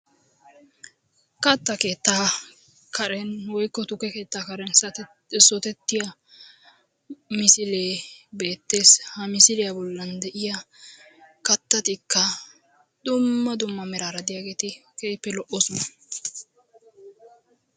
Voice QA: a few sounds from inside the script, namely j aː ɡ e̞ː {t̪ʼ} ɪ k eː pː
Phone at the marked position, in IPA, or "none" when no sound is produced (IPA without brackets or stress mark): t̪